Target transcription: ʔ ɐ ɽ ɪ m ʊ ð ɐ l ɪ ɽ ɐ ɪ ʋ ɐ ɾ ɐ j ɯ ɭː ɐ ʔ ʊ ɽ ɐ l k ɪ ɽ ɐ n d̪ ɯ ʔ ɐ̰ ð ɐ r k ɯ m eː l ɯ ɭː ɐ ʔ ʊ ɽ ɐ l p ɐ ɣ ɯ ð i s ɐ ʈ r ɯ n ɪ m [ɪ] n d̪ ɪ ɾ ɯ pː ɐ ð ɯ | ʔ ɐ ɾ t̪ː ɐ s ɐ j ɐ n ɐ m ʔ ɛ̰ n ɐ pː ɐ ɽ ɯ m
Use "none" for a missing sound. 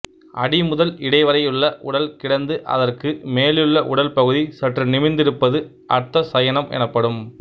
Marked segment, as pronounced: ɪ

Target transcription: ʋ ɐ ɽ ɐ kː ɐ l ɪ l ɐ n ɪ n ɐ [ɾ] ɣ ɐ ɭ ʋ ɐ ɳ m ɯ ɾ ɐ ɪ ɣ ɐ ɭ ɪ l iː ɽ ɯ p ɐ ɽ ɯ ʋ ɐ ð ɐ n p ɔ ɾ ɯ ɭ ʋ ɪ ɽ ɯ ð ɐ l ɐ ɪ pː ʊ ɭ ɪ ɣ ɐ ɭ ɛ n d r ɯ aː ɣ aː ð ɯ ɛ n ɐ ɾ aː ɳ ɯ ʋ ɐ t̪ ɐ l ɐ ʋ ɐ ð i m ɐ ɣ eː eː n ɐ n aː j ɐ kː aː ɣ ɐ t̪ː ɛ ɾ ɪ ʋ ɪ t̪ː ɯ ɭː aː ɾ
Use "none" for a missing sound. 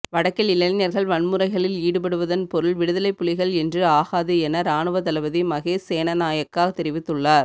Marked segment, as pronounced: ɾ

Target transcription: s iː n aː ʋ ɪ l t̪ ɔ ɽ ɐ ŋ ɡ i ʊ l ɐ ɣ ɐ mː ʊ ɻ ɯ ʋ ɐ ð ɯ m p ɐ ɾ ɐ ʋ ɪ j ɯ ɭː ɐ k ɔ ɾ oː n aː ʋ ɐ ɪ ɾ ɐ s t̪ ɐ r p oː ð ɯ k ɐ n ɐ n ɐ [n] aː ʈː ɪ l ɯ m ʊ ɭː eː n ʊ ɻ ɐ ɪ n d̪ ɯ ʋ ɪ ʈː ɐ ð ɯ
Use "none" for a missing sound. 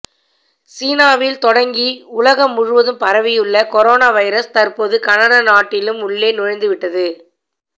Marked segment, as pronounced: n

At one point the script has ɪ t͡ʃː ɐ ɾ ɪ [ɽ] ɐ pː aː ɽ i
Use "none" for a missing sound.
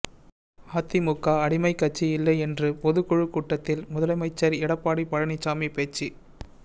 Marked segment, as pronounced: ɽ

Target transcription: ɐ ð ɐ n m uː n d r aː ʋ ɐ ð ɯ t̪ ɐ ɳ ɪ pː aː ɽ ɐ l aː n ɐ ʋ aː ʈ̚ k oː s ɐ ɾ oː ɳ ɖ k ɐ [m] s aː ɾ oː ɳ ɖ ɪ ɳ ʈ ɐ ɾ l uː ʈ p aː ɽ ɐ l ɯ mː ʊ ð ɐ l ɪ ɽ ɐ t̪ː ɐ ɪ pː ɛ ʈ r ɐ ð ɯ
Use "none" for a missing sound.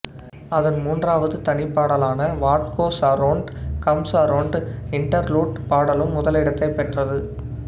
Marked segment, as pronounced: m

